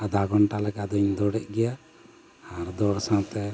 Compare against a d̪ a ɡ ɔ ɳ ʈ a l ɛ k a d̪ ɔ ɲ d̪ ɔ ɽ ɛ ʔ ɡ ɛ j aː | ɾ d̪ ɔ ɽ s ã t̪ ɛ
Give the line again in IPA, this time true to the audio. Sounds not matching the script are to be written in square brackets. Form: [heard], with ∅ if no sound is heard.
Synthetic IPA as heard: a d̪ a ɡ ɔ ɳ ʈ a l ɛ k a d̪ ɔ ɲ d̪ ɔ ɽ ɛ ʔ ɡ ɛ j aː | ɾ d̪ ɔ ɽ s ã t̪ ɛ